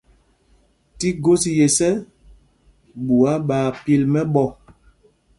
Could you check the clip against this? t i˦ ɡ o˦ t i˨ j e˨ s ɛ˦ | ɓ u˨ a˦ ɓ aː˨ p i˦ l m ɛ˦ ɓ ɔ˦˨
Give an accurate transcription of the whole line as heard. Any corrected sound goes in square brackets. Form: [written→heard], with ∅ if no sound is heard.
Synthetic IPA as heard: t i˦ ɡ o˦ [t→s] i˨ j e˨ s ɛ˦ | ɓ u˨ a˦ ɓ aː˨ p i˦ l m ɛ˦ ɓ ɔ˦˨